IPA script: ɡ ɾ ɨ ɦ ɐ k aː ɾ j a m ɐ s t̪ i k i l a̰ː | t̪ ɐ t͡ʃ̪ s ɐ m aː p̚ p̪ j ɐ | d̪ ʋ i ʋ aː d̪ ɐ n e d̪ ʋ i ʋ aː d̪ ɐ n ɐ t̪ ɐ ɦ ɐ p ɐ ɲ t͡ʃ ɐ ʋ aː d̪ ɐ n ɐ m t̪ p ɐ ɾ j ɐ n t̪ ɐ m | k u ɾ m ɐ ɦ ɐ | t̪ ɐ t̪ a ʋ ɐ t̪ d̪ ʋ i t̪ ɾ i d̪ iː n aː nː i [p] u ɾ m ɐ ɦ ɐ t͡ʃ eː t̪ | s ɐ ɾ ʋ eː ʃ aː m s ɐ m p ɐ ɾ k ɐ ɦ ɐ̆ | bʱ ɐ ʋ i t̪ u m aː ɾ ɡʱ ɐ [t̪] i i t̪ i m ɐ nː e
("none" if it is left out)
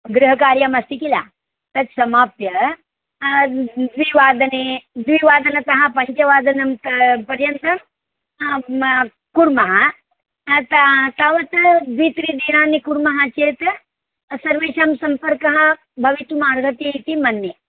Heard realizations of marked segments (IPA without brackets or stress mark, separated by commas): k, t̪